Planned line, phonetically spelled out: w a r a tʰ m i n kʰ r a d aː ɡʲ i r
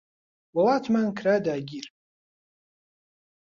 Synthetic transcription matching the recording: w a l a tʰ m a n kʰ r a d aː ɡʲ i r